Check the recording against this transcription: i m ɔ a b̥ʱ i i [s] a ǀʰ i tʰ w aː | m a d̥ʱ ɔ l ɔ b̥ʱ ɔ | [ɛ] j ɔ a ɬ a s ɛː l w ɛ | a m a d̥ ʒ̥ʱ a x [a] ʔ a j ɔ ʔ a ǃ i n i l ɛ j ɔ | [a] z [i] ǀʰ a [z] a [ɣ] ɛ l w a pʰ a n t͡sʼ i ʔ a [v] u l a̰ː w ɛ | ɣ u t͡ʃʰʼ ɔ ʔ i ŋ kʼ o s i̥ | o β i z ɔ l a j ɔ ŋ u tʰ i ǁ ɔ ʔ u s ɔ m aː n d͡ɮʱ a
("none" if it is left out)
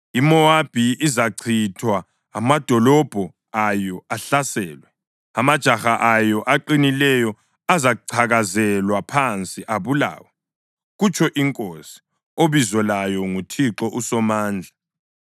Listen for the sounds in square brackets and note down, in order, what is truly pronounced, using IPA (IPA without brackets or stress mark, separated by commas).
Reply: z, a, a, a, a, ɣ, z, β